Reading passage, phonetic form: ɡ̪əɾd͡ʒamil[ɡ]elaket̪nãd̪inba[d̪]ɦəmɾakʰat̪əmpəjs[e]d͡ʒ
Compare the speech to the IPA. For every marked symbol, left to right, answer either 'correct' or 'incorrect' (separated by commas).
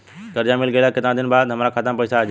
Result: correct, correct, incorrect